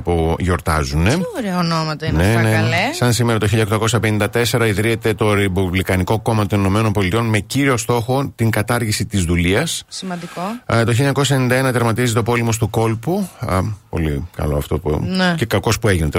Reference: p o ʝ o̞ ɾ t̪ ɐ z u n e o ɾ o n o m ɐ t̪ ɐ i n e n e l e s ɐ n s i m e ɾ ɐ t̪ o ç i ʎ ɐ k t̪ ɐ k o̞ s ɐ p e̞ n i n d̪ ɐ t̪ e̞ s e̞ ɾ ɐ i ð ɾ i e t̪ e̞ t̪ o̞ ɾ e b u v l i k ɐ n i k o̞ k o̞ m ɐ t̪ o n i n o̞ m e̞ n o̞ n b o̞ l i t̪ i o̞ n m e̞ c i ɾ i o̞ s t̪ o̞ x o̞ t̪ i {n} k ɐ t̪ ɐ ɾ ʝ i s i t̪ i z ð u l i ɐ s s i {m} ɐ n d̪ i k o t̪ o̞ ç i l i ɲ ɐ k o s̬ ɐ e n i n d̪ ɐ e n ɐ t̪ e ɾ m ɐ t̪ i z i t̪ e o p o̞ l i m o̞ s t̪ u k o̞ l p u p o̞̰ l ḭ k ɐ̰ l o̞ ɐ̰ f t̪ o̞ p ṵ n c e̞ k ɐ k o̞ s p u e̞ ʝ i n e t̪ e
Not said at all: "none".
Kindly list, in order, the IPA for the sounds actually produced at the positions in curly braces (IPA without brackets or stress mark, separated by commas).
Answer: ŋ, m